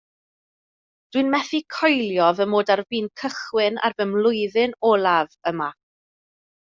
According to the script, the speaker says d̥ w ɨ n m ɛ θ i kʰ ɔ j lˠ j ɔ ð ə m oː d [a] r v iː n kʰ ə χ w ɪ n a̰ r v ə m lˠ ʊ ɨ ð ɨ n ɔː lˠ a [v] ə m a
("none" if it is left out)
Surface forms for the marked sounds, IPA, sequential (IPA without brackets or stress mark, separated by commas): a, v